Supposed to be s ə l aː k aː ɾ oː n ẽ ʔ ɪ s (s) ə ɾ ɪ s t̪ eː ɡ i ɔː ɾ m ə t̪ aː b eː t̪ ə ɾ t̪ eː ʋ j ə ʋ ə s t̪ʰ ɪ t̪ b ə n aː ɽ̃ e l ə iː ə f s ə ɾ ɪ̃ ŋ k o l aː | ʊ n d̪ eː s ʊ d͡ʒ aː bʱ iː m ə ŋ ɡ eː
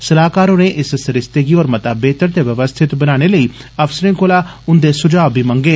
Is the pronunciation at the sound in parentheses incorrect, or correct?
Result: correct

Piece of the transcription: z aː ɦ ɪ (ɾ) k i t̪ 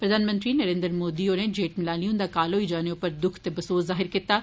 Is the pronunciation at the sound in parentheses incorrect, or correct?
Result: correct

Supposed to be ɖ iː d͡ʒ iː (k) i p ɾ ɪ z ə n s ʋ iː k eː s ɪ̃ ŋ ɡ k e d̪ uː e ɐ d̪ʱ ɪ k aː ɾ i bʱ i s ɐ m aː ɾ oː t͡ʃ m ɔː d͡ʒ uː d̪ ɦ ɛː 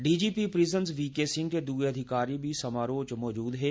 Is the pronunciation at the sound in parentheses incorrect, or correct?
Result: incorrect: p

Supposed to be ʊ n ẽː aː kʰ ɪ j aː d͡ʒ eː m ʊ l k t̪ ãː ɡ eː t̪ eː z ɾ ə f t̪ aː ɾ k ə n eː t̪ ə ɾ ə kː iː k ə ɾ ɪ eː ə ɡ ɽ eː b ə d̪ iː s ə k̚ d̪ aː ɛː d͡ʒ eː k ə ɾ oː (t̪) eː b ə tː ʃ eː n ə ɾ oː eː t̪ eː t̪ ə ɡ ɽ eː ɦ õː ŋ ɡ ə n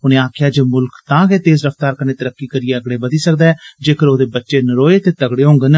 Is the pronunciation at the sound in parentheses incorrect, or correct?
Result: incorrect: d̪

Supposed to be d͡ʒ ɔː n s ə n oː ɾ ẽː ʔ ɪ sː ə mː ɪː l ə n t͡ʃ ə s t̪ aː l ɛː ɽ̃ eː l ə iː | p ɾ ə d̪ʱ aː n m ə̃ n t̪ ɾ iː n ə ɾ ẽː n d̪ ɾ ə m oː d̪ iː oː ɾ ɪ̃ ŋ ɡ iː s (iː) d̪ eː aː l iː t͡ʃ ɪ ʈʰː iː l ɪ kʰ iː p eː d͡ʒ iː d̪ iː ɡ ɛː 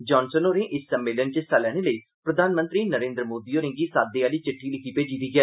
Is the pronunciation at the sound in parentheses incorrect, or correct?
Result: incorrect: aː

